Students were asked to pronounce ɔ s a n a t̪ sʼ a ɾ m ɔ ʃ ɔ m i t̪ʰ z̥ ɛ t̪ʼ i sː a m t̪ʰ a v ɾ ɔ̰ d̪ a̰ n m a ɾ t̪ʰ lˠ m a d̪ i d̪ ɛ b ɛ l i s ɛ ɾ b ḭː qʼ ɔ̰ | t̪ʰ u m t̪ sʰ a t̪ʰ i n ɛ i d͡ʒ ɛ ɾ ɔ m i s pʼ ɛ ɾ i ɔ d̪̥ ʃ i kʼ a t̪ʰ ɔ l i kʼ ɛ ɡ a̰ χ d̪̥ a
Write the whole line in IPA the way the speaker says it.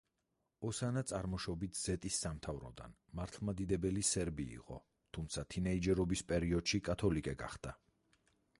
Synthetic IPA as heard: ɔ s a n a t̪ sʼ a ɾ m ɔ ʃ ɔ b i t̪ʰ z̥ ɛ t̪ʼ i sː a m t̪ʰ a v ɾ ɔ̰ d̪ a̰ n m a ɾ t̪ʰ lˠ m a d̪ i d̪ ɛ b ɛ l i s ɛ ɾ b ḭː qʼ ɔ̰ | t̪ʰ u m t̪ sʰ a t̪ʰ i n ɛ i d͡ʒ ɛ ɾ ɔ b i s pʼ ɛ ɾ i ɔ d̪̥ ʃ i kʼ a t̪ʰ ɔ l i kʼ ɛ ɡ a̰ χ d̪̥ a